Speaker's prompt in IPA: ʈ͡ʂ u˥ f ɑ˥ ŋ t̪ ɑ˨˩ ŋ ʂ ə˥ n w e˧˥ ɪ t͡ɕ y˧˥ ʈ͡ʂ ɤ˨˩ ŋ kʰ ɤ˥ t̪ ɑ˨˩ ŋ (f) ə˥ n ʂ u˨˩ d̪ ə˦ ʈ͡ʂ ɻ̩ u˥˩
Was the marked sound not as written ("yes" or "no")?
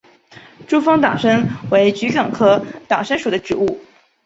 yes